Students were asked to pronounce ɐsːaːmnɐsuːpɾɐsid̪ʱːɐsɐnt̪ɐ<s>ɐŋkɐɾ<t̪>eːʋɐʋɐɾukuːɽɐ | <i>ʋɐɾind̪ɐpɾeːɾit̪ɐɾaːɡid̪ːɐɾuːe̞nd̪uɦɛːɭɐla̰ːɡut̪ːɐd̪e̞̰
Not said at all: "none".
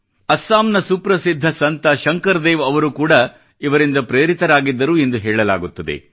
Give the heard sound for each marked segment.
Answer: ʃ, d̪, i

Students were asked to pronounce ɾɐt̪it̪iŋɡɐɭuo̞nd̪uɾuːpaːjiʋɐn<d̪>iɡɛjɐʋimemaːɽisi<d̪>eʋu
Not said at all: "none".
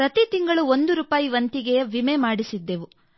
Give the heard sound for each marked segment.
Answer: t̪, d̪ː

